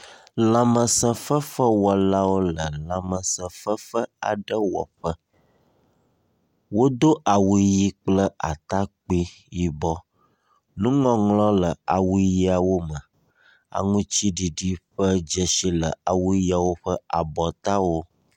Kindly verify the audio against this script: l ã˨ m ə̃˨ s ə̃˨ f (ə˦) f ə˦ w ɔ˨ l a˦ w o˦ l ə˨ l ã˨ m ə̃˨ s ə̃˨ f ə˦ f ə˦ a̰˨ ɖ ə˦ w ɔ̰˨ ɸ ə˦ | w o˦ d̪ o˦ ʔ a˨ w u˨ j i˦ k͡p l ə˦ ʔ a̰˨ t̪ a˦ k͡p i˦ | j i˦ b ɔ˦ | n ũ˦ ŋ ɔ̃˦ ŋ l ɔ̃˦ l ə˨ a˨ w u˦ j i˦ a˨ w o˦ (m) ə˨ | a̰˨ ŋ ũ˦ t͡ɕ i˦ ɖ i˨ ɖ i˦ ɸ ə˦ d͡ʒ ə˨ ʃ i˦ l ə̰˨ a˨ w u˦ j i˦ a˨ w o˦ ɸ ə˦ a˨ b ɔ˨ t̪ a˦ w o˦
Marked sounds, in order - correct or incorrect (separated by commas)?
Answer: correct, correct